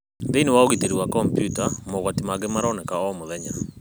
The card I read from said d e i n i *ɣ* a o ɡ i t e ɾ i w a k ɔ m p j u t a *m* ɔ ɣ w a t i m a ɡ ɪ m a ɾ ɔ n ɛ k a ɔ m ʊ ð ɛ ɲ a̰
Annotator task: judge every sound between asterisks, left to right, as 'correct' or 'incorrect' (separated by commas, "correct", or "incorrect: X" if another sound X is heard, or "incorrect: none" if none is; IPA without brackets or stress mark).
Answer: incorrect: w, correct